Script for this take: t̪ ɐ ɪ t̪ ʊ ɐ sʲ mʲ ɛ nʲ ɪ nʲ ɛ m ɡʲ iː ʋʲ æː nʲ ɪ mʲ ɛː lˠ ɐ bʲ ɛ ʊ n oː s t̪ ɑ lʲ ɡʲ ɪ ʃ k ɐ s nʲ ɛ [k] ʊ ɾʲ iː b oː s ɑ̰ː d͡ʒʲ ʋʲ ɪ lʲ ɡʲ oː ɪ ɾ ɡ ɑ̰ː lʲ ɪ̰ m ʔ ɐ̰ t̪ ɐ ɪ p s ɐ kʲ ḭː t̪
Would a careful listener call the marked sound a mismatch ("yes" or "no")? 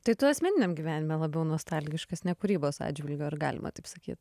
no